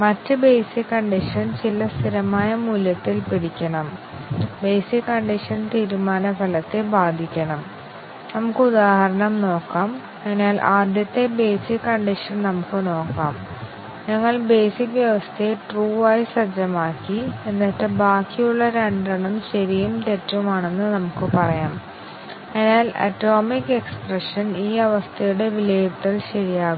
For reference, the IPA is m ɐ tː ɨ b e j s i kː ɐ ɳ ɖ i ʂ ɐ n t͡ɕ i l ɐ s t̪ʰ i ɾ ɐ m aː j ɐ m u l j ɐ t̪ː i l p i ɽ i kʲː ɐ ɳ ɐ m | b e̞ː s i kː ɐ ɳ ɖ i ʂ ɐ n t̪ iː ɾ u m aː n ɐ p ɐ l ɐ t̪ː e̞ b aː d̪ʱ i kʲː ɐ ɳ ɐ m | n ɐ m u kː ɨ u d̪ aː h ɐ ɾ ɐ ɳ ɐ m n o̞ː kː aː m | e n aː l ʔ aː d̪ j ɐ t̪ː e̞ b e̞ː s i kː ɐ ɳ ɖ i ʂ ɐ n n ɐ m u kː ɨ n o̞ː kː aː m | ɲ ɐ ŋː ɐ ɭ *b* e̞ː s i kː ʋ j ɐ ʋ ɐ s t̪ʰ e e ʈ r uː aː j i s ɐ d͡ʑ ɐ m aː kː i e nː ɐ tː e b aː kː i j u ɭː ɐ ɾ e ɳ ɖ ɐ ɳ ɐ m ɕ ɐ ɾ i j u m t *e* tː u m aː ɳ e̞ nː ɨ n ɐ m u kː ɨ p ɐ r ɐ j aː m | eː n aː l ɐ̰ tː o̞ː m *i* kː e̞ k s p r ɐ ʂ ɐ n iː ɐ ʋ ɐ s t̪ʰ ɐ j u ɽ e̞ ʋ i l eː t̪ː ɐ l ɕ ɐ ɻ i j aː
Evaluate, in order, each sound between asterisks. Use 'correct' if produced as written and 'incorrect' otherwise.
correct, correct, correct

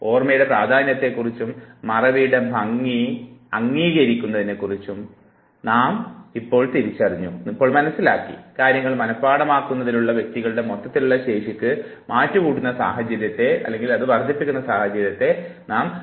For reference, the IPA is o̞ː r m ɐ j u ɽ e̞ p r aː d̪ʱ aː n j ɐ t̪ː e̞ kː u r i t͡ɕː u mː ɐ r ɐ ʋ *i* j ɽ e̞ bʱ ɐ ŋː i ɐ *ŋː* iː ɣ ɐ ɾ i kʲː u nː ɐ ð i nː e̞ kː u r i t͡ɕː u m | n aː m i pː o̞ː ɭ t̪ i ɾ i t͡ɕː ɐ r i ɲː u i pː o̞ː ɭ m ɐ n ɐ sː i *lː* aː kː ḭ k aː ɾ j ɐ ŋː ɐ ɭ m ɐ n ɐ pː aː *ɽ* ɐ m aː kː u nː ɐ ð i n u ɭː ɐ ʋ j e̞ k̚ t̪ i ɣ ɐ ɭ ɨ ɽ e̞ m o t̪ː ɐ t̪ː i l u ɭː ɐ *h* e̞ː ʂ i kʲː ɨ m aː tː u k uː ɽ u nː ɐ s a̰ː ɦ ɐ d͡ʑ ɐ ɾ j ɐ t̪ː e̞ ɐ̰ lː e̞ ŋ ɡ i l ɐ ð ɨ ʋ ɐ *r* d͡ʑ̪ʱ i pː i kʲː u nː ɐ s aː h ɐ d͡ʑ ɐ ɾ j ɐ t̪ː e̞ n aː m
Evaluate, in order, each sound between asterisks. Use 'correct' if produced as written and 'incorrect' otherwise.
correct, correct, incorrect: l, correct, incorrect: ɕ, correct

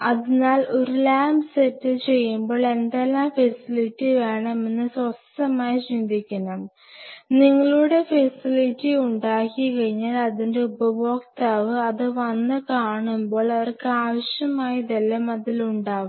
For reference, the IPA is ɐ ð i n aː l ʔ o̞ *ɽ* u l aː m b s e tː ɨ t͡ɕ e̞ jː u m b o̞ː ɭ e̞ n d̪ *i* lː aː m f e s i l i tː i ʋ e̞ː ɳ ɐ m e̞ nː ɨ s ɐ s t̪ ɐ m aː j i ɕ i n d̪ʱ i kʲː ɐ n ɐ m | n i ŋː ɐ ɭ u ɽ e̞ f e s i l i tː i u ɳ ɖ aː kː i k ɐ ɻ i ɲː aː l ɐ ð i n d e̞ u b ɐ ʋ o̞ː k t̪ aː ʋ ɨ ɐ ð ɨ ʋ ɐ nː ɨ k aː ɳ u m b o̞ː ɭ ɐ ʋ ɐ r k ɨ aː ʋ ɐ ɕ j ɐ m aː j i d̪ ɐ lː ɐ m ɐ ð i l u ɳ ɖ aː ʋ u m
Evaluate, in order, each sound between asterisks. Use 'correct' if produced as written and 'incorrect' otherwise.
incorrect: ɾ, incorrect: e

